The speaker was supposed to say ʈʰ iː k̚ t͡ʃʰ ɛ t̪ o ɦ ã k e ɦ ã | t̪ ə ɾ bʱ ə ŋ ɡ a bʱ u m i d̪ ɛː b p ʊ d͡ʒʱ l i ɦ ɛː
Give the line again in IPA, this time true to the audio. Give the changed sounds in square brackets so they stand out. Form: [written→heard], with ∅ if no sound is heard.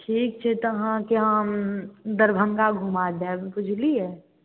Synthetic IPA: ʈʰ iː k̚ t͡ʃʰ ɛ t̪ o ɦ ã k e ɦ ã | [t̪→d̪] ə ɾ bʱ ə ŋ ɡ a [bʱ→ɡʱ] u m [i→a] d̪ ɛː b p ʊ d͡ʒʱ l i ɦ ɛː